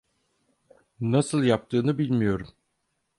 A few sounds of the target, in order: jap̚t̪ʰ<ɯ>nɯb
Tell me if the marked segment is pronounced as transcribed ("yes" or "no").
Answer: no